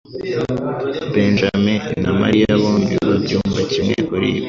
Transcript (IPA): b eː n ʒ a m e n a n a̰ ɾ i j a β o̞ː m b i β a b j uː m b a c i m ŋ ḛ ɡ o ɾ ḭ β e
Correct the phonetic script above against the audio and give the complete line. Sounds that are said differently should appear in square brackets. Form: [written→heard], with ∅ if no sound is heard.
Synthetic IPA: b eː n ʒ a m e n a [n→m] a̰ ɾ i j a β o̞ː m b i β a b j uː m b a c i m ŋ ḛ [ɡ→k] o ɾ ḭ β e